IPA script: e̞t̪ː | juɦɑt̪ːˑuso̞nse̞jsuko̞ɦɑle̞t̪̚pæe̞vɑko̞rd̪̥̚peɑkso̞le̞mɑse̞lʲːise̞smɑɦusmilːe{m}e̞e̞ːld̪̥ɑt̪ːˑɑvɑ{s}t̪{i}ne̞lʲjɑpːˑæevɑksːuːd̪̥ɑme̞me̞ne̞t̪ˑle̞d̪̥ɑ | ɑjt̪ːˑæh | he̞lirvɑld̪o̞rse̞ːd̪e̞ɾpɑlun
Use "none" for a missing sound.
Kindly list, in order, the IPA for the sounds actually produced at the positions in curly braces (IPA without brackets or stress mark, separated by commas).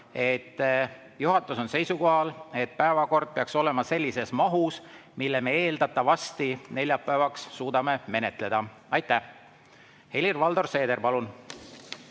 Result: m, s, i